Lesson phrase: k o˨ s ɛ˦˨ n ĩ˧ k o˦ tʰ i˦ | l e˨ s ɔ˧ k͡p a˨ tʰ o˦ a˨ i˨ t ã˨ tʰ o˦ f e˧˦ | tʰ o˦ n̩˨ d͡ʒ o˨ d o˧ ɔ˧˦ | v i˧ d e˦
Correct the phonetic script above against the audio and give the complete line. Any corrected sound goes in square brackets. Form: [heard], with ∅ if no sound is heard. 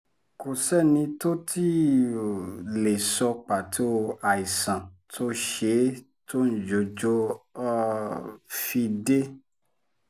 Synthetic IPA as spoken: k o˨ s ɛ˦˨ n ĩ˧ [t] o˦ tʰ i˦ | l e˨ s ɔ˧ k͡p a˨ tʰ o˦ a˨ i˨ [s] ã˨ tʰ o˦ [ʃ] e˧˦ | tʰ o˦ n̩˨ d͡ʒ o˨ [d͡ʒ] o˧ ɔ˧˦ | [f] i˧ d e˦